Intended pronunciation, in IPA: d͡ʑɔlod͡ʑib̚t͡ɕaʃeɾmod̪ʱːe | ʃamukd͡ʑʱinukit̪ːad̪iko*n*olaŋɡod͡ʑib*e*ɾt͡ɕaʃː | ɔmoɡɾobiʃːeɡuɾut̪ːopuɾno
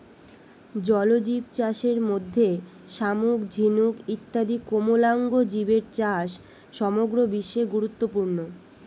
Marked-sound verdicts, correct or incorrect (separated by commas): incorrect, correct